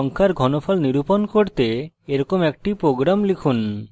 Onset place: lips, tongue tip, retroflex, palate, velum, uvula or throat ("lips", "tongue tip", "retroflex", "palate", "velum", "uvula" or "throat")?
velum